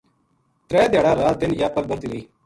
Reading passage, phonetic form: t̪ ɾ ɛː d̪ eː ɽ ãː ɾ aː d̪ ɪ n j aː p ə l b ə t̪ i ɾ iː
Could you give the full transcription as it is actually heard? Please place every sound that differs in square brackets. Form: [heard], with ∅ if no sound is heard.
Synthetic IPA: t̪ ɾ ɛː d̪ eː ɽ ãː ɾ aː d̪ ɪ n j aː p ə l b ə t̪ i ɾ iː